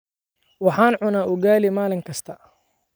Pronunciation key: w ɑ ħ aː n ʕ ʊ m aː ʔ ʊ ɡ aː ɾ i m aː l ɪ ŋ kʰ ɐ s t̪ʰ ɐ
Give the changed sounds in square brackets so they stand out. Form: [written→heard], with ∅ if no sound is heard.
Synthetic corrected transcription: w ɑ ħ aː n ʕ ʊ [m→n] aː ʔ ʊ ɡ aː [ɾ→l] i m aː l ɪ ŋ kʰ ɐ s t̪ʰ ɐ